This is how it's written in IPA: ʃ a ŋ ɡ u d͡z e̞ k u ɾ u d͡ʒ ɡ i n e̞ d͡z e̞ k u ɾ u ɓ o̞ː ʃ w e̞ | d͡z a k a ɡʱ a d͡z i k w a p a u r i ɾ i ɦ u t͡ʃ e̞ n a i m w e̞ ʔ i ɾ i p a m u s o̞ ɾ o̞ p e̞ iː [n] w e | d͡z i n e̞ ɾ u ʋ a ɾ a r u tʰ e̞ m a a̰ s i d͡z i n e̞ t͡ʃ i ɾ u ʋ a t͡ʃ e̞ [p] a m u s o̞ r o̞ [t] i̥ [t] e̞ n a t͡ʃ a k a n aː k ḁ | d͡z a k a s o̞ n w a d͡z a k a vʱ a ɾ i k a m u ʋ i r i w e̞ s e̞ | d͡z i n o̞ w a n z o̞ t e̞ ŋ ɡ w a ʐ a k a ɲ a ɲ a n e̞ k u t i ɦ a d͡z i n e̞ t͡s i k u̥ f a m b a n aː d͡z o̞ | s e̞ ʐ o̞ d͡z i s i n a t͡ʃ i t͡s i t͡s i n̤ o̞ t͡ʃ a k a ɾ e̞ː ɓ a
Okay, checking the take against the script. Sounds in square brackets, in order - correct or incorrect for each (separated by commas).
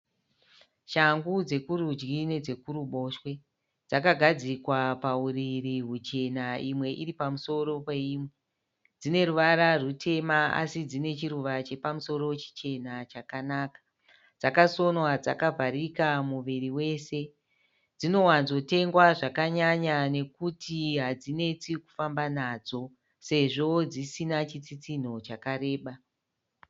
incorrect, correct, incorrect, incorrect